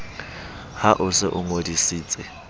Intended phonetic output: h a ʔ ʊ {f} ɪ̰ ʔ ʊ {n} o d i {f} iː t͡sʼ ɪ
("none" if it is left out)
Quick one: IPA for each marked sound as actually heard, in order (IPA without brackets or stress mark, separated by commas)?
s, ŋ, s